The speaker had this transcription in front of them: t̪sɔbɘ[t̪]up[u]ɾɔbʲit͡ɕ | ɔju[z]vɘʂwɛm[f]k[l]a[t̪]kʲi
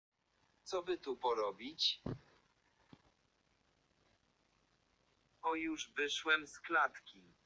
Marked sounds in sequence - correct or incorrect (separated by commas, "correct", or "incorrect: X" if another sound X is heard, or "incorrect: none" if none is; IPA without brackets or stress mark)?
correct, incorrect: ɔ, incorrect: ʐ, incorrect: s, correct, correct